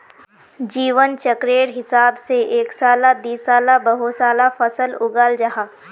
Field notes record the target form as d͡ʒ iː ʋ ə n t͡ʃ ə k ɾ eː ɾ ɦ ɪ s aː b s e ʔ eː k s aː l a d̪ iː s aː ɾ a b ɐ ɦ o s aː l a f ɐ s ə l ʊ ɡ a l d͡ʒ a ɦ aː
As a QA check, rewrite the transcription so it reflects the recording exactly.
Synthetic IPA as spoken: d͡ʒ iː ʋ ə n t͡ʃ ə k ɾ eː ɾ ɦ ɪ s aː b s e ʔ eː k s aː l a d̪ iː s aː l a b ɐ ɦ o s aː l a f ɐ s ə l ʊ ɡ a l d͡ʒ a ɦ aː